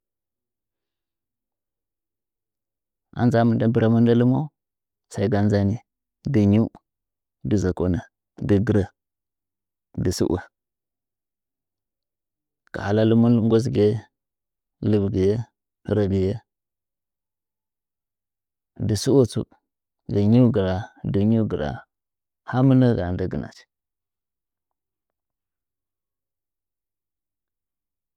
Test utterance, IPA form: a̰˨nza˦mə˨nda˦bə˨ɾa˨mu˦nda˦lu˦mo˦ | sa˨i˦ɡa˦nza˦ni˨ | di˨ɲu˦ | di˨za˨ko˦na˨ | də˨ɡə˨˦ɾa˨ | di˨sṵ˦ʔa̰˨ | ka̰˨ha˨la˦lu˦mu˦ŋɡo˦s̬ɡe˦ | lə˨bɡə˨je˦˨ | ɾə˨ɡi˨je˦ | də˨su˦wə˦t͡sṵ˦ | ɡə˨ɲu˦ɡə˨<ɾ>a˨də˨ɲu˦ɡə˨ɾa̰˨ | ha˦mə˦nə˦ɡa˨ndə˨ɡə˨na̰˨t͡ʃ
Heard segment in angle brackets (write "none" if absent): ɾ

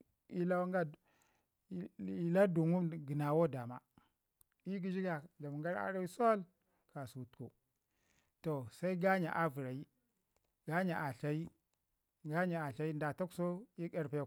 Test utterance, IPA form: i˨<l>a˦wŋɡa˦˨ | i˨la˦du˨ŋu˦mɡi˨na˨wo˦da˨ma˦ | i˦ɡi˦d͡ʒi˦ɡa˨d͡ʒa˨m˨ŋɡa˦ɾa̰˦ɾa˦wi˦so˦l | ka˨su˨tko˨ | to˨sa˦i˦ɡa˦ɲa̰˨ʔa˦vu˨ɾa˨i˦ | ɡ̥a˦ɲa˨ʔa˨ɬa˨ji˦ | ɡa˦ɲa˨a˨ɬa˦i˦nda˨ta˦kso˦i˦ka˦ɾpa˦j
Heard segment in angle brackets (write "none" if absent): l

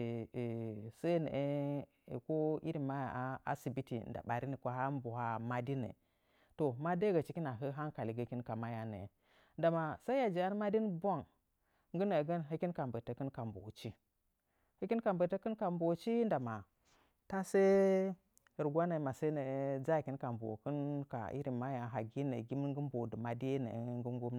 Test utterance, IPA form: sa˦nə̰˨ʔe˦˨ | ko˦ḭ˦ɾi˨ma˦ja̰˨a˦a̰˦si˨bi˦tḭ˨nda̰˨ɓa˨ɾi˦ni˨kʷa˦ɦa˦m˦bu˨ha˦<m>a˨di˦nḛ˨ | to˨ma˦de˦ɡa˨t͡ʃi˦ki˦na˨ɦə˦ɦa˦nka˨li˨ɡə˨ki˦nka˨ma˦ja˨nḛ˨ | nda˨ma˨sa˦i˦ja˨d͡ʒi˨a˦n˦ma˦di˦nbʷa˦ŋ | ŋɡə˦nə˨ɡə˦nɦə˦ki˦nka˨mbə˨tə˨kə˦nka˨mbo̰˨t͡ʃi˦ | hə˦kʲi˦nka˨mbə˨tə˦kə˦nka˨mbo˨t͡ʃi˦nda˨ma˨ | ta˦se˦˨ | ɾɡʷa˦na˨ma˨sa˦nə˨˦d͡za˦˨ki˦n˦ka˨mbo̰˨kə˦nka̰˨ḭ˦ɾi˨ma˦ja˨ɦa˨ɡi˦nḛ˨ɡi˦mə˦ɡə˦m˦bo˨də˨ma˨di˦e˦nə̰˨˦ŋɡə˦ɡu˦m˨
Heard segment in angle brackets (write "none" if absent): m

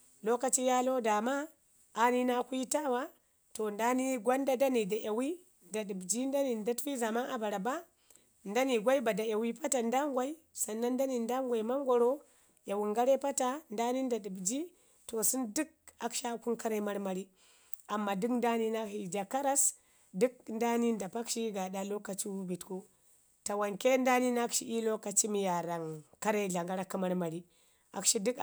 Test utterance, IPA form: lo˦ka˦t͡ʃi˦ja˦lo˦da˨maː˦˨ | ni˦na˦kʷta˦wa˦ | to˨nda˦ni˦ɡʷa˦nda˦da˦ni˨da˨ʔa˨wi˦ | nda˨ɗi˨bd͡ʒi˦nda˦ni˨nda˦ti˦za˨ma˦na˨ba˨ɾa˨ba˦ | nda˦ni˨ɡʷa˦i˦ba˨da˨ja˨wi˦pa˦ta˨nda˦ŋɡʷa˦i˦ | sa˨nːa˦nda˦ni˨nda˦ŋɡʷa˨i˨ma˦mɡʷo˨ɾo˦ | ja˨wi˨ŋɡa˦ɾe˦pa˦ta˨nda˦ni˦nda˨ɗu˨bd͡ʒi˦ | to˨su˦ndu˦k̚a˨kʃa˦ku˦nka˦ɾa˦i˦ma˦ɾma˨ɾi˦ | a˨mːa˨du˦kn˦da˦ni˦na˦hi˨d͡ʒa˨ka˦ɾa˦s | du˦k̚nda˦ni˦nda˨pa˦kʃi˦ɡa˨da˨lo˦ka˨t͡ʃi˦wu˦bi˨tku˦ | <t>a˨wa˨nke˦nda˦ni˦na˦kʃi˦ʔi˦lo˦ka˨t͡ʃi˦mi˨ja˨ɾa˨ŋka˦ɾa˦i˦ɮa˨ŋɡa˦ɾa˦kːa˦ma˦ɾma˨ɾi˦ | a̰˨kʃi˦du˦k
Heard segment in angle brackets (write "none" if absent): t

